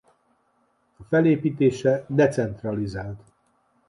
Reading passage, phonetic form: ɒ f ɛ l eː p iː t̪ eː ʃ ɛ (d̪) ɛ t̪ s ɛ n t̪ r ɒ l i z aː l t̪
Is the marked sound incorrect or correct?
correct